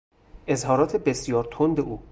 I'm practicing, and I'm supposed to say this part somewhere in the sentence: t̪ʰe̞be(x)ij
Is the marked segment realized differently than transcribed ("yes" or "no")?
yes